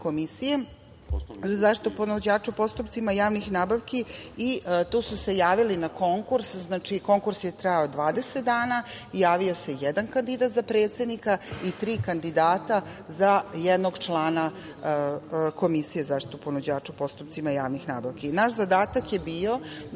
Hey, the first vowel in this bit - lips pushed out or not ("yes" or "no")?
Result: yes